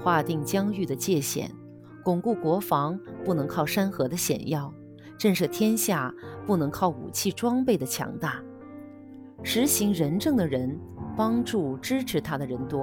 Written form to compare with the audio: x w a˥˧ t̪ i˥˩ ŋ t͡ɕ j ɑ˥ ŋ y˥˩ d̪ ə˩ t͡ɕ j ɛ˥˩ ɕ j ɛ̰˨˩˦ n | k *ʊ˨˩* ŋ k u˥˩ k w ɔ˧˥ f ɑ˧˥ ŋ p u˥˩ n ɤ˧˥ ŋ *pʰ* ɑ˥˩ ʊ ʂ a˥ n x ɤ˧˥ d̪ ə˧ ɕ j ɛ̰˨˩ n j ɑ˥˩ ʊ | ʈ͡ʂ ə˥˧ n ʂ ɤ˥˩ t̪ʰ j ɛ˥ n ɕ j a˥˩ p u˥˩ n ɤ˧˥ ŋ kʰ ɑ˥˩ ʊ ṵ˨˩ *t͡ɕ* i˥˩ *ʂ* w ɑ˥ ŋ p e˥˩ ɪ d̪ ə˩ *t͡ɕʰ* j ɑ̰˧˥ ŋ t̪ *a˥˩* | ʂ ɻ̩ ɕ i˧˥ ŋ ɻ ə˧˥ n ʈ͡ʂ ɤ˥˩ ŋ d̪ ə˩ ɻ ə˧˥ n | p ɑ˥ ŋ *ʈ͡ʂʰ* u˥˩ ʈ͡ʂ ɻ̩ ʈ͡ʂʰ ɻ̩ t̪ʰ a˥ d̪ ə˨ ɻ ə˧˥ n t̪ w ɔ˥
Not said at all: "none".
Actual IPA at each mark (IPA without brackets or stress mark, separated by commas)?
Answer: ʊ˨˩, kʰ, t͡ɕʰ, ʈ͡ʂ, t͡ɕʰ, a˥˩, ʈ͡ʂ